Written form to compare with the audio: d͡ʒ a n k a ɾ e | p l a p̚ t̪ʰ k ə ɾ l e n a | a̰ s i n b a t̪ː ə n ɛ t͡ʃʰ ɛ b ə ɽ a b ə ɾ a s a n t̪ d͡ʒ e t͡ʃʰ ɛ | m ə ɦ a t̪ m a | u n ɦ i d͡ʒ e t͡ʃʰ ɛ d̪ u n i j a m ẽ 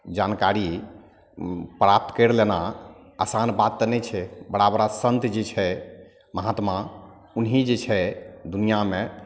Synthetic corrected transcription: d͡ʒ a n k a ɾ i | p ɾ a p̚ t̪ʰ k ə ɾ l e n a | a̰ s a n b a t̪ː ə n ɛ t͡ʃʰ ɛ b ə ɽ a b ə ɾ a s ə n t̪ d͡ʒ e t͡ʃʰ ɛ | m ə ɦ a t̪ m a | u n ɦ i d͡ʒ e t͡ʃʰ ɛ d̪ u n i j a m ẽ